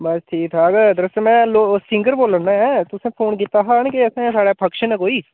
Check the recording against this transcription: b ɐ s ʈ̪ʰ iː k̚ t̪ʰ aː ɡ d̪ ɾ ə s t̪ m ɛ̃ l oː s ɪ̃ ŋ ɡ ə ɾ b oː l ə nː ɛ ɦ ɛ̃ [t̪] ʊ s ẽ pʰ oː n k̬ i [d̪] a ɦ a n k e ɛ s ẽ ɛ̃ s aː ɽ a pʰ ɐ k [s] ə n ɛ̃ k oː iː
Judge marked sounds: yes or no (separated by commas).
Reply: yes, no, no